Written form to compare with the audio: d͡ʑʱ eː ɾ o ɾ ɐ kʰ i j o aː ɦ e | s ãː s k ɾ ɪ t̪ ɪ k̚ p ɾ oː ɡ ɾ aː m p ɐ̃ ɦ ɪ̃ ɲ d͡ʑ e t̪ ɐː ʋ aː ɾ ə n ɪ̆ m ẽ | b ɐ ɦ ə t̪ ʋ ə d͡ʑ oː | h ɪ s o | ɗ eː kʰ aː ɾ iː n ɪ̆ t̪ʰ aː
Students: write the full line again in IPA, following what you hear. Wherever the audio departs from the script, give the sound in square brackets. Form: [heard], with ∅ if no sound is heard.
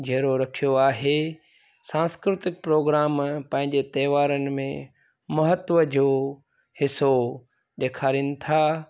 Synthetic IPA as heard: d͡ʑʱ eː ɾ o ɾ ɐ kʰ i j o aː ɦ e | s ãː s k ɾ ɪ t̪ ɪ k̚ p ɾ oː ɡ ɾ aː m p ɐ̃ ɦ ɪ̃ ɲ d͡ʑ e t̪ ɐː ʋ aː ɾ ə n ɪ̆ m ẽ | [m] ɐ ɦ ə t̪ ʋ ə d͡ʑ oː | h ɪ s o | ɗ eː kʰ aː ɾ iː n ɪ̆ t̪ʰ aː